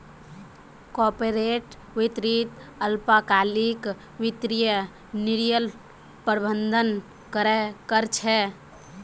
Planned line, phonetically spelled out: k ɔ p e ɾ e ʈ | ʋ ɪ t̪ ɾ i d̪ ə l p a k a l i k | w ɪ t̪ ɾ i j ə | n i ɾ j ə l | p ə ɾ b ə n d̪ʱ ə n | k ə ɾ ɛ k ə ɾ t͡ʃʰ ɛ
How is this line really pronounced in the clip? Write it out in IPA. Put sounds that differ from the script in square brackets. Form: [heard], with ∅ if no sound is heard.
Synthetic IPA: k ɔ p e ɾ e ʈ | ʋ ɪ t̪ ɾ i [t̪] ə l p a k a l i k | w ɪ t̪ ɾ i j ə | n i ɾ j ə l | p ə ɾ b ə n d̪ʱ ə n | k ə ɾ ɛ k ə ɾ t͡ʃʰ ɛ